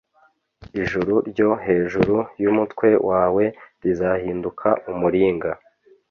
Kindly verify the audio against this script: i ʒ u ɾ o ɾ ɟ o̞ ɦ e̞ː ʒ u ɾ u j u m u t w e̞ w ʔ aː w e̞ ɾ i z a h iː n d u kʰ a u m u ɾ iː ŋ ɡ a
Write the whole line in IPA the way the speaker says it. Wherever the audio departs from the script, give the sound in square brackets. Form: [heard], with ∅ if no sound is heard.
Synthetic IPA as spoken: i ʒ u ɾ [u] ɾ ɟ o̞ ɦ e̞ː ʒ u ɾ u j u m u t w e̞ w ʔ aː w e̞ ɾ i z a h iː n d u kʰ a u m u ɾ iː ŋ ɡ a

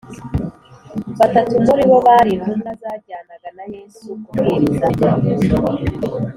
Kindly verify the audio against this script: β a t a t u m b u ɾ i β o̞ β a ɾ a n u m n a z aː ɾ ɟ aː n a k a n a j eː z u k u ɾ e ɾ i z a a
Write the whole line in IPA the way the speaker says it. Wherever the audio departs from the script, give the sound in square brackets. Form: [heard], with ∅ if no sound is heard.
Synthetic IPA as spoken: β a t a t u m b u ɾ i β o̞ β a ɾ [i] n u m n a z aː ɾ ɟ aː n a [ɡ] a n a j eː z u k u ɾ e ɾ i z a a

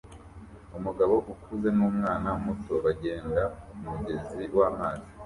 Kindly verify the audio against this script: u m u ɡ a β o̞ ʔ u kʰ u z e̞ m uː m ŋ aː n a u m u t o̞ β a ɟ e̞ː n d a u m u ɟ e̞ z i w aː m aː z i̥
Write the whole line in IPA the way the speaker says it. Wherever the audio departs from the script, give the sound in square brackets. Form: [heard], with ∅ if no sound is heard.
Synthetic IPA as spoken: u m u ɡ a β o̞ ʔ u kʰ u z e̞ [n] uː m ŋ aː n a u m u t o̞ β a ɟ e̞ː n d a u m u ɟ e̞ z i w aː m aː z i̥

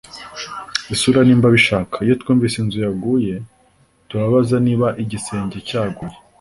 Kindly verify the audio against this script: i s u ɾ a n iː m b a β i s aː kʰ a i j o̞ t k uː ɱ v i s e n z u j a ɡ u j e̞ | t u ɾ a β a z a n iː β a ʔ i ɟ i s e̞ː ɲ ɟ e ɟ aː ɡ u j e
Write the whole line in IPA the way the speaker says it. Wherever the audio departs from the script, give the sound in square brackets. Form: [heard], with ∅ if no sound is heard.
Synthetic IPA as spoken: i s u ɾ a n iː m b a β i [ʃ] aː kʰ a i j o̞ t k uː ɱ v i s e n z u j a ɡ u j e̞ | t u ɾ a β a z a n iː β a ʔ i ɟ i s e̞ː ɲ ɟ e [c] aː ɡ u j e

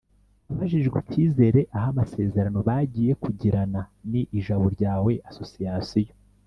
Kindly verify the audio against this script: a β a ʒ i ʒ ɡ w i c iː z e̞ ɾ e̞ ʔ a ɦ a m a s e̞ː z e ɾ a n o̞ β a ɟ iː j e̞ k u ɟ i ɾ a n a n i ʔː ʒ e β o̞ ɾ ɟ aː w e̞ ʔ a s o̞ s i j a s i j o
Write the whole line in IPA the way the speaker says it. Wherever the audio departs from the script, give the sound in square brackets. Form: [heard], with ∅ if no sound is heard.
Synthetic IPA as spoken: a β a ʒ i ʒ ɡ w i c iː z e̞ ɾ e̞ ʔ a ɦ a m a s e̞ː z e ɾ a n o̞ β a ɟ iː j e̞ k u ɟ i ɾ a n a n i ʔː ʒ [a] β o̞ ɾ ɟ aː w e̞ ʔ a s o̞ s i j a s i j o

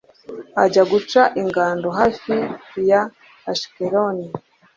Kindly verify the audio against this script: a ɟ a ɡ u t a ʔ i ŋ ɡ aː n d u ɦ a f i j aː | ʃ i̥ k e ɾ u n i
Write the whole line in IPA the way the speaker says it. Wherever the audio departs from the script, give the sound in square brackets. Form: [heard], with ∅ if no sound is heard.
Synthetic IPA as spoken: a ɟ a ɡ u [t͡ʃ] a ʔ i ŋ ɡ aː n d [o] ɦ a f i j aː | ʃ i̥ k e ɾ [o] n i

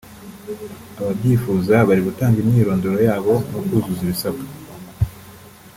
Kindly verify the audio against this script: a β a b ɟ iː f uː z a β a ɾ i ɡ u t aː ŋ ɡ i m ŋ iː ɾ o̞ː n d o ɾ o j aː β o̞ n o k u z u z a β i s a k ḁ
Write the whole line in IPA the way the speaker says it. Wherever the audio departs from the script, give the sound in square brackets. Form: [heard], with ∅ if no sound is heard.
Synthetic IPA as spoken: a β a b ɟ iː f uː z a β a ɾ i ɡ u t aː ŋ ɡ i m [ɲ] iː ɾ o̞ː n d o ɾ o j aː β o̞ n o k u z u z [i] β i s a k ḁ

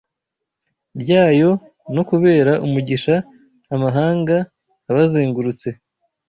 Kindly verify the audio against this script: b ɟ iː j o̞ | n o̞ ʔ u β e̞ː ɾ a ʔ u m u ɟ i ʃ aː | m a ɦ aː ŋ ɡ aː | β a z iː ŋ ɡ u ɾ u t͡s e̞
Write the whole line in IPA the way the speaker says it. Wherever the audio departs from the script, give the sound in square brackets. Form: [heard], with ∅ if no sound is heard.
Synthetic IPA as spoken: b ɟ [aː] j o̞ | n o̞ [k] u β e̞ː ɾ a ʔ u m u ɟ i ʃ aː | m a ɦ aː ŋ ɡ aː | β a z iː ŋ ɡ u ɾ u t͡s e̞

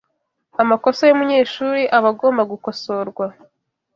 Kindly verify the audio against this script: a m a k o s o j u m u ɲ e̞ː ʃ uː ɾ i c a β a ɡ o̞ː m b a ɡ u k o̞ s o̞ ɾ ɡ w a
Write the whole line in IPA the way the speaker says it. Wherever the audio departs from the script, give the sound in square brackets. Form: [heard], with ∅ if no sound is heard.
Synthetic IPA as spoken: a m a k o s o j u m u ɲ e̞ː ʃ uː ɾ i [ʔ] a β a ɡ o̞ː m b a ɡ u k o̞ s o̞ ɾ ɡ w a

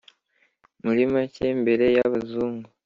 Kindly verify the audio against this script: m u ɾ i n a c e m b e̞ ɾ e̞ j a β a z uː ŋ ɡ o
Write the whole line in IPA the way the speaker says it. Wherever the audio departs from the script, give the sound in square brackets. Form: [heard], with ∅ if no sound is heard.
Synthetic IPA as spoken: m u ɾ i [m] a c e m b e̞ ɾ e̞ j a β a z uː ŋ ɡ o

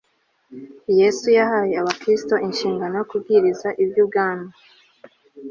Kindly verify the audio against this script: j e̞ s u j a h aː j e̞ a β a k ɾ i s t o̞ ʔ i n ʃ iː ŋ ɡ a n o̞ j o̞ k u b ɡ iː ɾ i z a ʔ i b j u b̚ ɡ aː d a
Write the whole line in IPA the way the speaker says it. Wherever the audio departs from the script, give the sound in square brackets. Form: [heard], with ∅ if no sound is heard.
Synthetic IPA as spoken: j e̞ s u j a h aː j e̞ a β a k ɾ i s t o̞ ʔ i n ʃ iː ŋ ɡ a n o̞ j o̞ k u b ɡ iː ɾ i z a ʔ i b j u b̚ ɡ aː [n] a

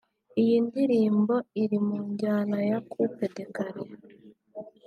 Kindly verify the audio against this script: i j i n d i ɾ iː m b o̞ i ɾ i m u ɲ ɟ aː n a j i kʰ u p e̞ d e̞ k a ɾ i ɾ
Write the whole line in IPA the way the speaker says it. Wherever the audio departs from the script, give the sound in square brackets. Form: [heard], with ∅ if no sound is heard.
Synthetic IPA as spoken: i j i n d i ɾ iː m b o̞ i ɾ i m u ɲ ɟ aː n a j [a] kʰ u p e̞ d e̞ k a ɾ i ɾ

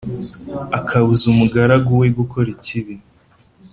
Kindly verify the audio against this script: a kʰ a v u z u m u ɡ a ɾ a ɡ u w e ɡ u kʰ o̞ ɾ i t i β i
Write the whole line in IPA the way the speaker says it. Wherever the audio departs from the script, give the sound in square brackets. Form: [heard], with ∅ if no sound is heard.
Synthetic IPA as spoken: a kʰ a [β] u z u m u ɡ a ɾ a ɡ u w e ɡ u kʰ o̞ ɾ i [c] i β i

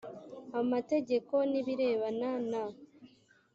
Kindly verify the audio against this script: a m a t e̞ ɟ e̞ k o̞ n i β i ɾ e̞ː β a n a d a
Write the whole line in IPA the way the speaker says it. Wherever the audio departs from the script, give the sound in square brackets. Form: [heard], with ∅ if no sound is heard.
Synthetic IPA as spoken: a m a t e̞ ɟ e̞ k o̞ n i β i ɾ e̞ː β a n a [n] a

